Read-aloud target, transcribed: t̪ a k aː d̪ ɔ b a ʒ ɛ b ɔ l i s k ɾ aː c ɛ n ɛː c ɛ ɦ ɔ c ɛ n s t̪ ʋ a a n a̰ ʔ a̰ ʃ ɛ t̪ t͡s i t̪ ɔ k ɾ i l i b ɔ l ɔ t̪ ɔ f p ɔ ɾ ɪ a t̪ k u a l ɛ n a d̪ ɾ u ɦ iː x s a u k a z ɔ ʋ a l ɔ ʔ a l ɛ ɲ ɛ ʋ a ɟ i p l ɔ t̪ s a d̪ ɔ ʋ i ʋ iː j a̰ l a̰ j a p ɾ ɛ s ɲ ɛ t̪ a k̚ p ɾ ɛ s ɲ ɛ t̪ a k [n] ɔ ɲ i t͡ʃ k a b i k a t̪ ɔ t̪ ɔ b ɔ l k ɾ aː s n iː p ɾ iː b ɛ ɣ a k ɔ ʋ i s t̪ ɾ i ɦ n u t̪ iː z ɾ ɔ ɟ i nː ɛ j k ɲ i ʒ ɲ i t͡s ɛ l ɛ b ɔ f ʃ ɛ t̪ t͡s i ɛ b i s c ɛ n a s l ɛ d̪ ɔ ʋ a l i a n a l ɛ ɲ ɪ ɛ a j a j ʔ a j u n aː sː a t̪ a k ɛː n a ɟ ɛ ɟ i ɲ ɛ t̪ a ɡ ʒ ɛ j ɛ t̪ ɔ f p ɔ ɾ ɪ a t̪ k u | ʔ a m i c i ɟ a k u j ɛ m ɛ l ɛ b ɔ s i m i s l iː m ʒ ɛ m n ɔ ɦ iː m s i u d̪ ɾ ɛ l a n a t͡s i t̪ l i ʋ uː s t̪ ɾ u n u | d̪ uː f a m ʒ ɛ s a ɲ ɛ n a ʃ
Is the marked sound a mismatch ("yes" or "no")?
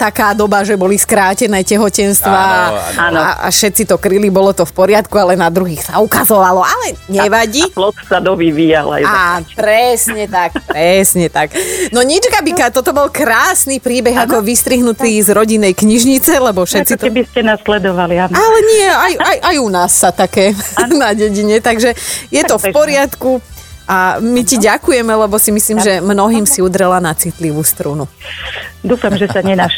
no